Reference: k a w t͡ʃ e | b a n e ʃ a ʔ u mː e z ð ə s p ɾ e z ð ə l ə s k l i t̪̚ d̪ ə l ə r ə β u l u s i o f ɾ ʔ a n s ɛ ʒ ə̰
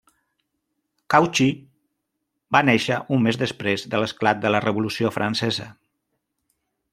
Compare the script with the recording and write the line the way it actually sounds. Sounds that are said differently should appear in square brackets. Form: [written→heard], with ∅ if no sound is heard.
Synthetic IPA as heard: k a w t͡ʃ [e→i] | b a n e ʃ [a→ə] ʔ u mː e z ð ə s p ɾ e z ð ə l ə s k l [i→a] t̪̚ d̪ ə l ə r ə β u l u s i o f ɾ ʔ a n s ɛ [ʒ→z] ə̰